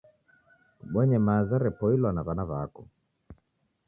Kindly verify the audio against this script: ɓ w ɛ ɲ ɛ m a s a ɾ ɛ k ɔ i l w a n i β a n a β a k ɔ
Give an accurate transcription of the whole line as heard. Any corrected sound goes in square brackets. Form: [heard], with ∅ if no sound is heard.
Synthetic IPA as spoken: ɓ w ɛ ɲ ɛ m a [z] a ɾ ɛ [p] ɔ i l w a n [a] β a n a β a k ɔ